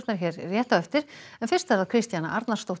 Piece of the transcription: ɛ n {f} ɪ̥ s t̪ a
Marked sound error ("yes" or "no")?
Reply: no